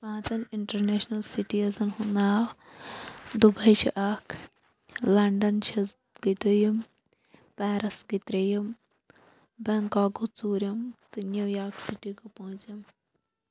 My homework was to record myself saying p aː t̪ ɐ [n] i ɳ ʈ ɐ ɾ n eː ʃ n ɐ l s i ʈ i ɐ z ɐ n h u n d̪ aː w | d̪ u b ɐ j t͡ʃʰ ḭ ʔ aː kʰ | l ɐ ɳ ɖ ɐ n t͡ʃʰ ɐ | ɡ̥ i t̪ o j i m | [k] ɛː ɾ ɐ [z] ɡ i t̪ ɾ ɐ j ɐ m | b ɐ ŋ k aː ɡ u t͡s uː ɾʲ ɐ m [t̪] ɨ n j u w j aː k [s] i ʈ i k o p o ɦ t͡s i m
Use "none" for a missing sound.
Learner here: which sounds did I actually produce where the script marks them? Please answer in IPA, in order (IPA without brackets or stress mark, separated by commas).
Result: n, p, s, t̪, s